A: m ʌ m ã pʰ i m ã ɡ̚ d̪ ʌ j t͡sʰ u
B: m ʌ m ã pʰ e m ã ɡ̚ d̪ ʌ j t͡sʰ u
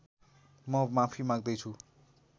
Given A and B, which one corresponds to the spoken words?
A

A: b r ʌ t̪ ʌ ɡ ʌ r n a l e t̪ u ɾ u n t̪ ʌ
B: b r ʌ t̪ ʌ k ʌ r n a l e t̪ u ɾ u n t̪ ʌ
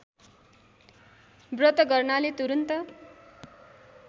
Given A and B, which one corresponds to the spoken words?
A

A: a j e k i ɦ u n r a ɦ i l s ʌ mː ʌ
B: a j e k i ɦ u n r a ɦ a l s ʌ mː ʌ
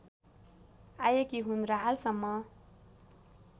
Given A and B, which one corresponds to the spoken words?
B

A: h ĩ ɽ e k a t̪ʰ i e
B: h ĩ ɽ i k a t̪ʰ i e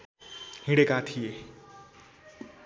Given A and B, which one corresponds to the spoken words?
A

